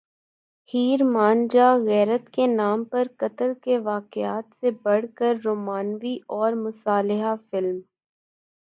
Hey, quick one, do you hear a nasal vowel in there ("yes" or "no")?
no